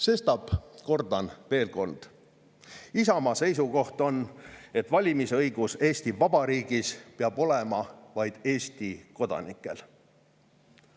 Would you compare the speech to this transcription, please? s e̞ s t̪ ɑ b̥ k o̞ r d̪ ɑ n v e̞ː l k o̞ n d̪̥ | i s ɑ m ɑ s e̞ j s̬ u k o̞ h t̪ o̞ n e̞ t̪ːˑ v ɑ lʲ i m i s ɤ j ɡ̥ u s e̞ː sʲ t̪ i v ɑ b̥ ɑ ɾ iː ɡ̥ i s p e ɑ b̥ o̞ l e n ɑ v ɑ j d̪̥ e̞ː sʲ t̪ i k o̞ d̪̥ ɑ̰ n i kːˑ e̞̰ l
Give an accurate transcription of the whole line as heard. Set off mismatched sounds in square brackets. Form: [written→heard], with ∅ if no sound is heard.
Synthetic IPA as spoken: s e̞ s t̪ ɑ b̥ k o̞ r d̪ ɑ n v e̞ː l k o̞ n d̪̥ | i s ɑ m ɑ s e̞ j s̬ u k o̞ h t̪ o̞ n e̞ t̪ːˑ v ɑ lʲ i m i s ɤ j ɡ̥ u s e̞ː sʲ t̪ i v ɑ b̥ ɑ ɾ iː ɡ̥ i s p e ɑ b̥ o̞ l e [n→m] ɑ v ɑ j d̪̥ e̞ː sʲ t̪ i k o̞ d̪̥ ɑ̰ n i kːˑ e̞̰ l